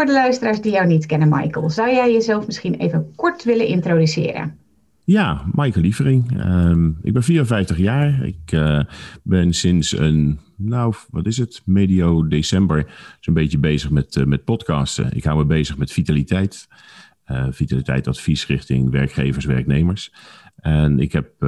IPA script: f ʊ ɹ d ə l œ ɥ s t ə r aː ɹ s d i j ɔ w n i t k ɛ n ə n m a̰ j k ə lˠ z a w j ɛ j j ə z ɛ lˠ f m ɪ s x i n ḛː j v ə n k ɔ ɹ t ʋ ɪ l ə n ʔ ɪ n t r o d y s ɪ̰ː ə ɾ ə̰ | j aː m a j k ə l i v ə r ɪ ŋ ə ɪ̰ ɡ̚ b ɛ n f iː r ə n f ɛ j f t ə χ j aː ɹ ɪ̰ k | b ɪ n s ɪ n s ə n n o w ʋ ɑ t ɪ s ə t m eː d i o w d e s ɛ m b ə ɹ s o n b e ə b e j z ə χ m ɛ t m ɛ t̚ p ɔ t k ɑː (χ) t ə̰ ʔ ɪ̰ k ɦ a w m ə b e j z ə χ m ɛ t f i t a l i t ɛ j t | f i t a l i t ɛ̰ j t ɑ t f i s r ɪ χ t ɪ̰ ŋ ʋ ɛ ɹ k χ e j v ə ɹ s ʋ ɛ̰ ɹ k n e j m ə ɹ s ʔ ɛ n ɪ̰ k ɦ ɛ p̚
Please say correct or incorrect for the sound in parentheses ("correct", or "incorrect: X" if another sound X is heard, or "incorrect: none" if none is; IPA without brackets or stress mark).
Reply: incorrect: s